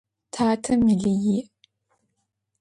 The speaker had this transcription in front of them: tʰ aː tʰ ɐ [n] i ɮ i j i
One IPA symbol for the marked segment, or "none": m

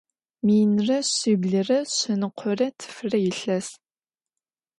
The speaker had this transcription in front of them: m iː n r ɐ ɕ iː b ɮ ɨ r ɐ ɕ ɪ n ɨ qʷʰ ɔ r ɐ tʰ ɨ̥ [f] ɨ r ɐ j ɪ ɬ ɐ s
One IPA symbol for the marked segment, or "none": f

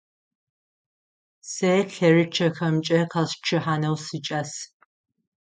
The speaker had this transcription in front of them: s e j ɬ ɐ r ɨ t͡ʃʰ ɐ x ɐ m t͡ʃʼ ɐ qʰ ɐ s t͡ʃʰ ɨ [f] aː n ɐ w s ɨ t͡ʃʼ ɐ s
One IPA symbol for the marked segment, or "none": ħ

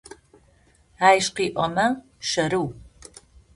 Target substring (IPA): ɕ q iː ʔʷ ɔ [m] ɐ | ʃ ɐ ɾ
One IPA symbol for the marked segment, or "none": m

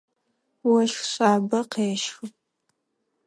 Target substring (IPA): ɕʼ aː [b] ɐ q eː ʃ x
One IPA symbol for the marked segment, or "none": b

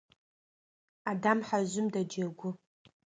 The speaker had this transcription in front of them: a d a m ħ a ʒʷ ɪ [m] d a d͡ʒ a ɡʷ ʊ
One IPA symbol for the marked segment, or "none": m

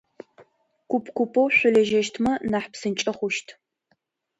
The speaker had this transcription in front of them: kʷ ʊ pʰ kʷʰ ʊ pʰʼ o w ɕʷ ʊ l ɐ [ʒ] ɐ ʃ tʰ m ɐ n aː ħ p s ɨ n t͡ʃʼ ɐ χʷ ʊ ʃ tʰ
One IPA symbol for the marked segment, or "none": ʒ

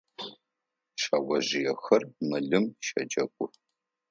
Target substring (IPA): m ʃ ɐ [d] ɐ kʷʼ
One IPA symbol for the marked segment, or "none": d͡ʒ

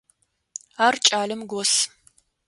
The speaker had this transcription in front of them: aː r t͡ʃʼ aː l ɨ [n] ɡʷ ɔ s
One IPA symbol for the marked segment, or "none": m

